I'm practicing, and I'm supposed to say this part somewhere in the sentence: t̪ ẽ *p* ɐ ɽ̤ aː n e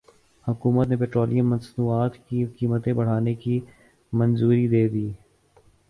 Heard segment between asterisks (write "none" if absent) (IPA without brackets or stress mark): b